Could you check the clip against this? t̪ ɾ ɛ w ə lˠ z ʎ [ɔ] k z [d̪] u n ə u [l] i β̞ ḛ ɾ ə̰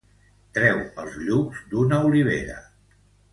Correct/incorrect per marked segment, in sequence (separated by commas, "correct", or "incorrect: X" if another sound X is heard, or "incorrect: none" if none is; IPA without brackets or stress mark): incorrect: u, correct, correct